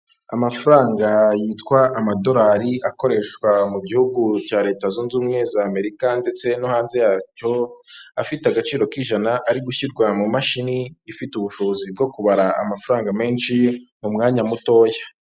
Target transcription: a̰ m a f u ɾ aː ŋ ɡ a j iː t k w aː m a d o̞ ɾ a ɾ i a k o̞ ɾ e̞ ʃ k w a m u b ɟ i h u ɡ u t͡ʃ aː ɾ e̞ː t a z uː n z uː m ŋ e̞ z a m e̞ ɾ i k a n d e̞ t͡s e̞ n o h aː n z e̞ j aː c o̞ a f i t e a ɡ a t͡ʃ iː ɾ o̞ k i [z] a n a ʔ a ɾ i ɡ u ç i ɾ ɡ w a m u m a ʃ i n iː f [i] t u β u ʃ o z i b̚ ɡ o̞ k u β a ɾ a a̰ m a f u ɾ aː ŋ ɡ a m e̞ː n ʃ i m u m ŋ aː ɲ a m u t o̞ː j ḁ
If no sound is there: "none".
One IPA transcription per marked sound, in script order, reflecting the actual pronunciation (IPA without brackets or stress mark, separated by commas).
ʒ, i